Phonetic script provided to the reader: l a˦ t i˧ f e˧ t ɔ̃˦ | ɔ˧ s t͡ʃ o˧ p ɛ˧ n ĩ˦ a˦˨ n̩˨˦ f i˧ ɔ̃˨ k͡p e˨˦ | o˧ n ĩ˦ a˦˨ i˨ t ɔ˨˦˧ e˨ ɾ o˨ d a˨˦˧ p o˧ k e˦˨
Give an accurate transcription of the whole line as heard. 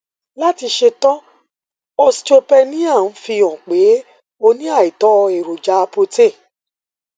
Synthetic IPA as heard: l a˦ t i˧ ʃ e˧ t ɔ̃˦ | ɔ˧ s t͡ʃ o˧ p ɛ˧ n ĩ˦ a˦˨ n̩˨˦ f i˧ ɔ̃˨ k͡p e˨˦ | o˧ n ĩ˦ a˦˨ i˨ t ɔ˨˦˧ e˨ ɾ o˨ d͡ʒ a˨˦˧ p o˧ t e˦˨